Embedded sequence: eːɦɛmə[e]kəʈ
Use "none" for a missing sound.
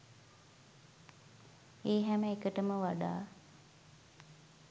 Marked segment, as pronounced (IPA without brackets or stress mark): e